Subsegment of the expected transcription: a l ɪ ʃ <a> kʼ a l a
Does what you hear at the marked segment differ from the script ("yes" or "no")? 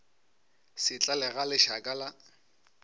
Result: no